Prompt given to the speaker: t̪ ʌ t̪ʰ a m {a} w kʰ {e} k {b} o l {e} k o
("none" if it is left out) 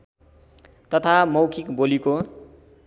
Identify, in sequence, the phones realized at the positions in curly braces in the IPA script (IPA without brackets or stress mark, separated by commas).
ʌ, i, b, i